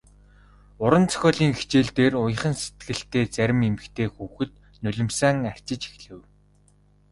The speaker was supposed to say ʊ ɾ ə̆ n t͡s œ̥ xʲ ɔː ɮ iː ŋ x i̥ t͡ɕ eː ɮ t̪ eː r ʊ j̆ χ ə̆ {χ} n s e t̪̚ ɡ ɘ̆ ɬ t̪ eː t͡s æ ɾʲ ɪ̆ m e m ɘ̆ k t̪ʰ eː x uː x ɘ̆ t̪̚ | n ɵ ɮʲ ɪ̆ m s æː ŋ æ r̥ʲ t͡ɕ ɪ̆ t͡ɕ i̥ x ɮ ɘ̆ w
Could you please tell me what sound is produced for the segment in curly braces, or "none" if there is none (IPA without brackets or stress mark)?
none